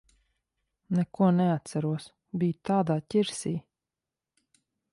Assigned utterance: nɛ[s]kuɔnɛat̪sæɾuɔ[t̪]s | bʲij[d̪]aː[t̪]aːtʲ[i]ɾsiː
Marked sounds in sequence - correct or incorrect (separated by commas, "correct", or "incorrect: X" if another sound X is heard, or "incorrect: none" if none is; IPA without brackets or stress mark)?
incorrect: none, incorrect: none, incorrect: t̪, incorrect: d̪, correct